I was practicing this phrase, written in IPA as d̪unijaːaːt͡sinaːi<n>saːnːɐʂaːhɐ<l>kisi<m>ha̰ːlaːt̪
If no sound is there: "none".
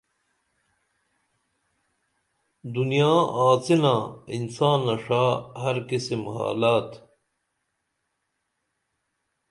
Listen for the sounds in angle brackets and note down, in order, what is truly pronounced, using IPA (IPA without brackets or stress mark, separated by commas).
n, ɾ, m